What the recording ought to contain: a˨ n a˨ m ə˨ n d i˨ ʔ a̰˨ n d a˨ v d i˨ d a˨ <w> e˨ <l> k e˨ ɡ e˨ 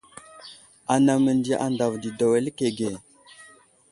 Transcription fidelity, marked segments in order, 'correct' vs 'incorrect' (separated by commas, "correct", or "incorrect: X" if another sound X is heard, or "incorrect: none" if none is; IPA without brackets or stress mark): correct, correct